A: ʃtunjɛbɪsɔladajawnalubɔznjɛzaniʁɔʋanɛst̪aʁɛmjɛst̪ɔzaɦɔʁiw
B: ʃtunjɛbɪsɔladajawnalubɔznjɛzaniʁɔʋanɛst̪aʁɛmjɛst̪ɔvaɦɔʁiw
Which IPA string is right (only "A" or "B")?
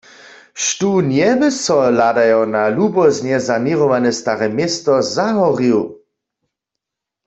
A